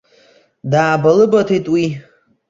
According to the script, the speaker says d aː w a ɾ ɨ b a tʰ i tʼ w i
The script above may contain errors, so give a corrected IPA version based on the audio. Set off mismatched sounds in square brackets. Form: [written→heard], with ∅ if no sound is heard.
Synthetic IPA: d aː [w→b] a [ɾ→l] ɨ b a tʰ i tʼ w i